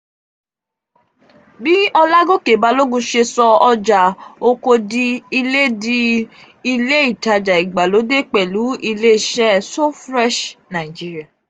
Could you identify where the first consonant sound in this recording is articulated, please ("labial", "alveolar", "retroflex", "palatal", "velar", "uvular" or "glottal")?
labial